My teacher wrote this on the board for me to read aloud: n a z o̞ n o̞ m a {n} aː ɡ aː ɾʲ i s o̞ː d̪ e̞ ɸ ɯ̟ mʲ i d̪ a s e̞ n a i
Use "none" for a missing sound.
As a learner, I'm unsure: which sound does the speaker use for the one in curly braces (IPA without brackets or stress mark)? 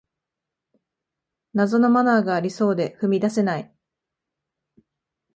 n